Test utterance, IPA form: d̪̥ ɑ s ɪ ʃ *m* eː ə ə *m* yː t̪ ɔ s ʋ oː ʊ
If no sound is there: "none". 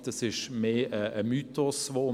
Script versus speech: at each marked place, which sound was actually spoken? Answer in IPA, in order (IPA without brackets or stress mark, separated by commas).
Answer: m, m